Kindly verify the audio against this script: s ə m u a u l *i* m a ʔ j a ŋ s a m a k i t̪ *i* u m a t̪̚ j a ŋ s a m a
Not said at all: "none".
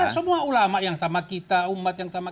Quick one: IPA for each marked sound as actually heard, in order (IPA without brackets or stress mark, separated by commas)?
a, a